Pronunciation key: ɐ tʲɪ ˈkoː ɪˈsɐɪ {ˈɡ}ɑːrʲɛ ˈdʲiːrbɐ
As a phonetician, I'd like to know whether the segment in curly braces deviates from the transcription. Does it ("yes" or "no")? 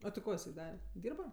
yes